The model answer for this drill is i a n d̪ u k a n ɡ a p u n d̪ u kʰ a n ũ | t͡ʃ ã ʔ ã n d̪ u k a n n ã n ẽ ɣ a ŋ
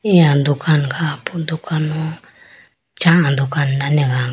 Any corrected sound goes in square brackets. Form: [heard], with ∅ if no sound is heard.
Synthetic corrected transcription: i a n d̪ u k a n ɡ a p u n d̪ u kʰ a n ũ | t͡ʃ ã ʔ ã n d̪ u k a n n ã n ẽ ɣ a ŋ